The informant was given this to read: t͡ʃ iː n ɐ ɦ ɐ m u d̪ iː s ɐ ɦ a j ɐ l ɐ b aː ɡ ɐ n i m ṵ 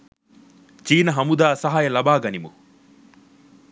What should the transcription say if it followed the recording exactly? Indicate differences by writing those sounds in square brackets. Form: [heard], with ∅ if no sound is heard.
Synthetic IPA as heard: t͡ʃ iː n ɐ ɦ ɐ m u d̪ [aː] s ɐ ɦ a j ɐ l ɐ b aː ɡ ɐ n i m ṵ

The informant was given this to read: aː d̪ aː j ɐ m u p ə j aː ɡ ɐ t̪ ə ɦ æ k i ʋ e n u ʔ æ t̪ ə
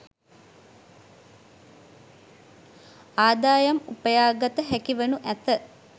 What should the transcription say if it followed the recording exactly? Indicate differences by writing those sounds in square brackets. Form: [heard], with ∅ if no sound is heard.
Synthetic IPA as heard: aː d̪ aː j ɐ m u p ə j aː ɡ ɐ t̪ ə ɦ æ k i ʋ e n u ʔ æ t̪ ə

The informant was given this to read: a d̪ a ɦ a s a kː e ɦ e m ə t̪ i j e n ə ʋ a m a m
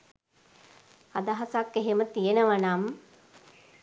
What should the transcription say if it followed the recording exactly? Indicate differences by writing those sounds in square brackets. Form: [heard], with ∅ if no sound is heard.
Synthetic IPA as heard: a d̪ a ɦ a s a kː e ɦ e m ə t̪ i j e n ə ʋ a [n] a m

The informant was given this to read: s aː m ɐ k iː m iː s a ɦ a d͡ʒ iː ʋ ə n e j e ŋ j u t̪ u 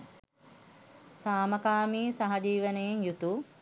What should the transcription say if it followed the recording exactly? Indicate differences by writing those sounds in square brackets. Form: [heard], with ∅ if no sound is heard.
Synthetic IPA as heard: s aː m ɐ k [aː] m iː s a ɦ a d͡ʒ iː ʋ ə n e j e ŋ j u t̪ u

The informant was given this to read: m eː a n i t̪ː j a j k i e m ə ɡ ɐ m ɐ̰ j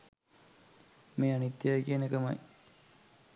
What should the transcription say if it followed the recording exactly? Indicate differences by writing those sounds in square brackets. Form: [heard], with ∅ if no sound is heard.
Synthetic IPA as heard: m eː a n i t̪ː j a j k i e [n] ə [k] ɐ m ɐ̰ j

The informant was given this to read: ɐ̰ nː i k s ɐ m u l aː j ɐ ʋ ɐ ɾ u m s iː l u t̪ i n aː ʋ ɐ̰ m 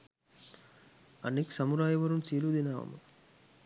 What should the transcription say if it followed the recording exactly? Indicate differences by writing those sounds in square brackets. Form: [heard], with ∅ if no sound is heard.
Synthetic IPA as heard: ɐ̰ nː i k s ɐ m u [ɾ] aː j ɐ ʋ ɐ ɾ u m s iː l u [d̪] i n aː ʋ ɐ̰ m

